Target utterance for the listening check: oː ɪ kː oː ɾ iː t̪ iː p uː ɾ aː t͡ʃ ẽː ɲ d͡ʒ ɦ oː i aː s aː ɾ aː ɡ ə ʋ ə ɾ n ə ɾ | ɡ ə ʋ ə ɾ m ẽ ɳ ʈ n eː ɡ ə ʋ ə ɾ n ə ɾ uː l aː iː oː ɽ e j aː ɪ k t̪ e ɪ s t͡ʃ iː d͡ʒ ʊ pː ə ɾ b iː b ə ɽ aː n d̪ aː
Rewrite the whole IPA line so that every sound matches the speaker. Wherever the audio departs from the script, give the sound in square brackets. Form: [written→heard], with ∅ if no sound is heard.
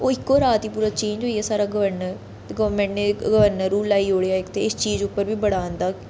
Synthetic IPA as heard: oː ɪ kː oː ɾ [iː→aː] t̪ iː p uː ɾ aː t͡ʃ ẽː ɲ d͡ʒ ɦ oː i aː s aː ɾ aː ɡ ə ʋ ə ɾ n ə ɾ | ɡ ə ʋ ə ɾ m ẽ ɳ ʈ n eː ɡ ə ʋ ə ɾ n ə ɾ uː l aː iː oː ɽ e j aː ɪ k t̪ e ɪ s t͡ʃ iː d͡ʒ ʊ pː ə ɾ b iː b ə ɽ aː n d̪ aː